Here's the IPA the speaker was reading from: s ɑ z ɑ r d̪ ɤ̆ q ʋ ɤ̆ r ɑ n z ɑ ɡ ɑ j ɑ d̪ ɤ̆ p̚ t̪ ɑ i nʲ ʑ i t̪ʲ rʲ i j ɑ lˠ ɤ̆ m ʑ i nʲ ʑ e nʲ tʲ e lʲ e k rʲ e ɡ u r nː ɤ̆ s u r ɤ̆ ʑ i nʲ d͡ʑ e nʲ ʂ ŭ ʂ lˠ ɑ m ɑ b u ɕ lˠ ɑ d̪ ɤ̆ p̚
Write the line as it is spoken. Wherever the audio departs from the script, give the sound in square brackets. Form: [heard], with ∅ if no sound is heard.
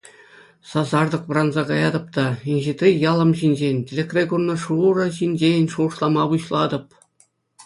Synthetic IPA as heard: s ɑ z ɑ r d̪ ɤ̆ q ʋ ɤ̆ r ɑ n z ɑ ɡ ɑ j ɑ d̪ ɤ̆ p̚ t̪ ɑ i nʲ ʑ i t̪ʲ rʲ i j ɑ lˠ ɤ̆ m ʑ i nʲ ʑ e nʲ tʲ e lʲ e k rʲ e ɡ u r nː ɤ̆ [ʂ] u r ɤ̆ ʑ i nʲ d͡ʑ e nʲ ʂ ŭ ʂ lˠ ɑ m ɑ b u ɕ lˠ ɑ d̪ ɤ̆ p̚